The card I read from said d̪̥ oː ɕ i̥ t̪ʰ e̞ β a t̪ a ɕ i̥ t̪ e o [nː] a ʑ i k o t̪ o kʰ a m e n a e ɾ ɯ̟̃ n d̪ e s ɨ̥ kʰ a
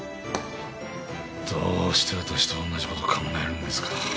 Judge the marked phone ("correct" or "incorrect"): correct